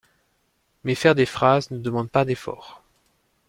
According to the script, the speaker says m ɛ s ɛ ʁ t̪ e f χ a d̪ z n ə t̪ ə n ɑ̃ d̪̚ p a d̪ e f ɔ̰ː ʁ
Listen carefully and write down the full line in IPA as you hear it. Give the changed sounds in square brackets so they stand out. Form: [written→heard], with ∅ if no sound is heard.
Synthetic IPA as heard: m ɛ [s→f] ɛ ʁ [t̪→d̪] e f χ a [d̪→∅] z n ə [t̪→d̪] ə [n→m] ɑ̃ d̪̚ p a d̪ e f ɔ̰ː ʁ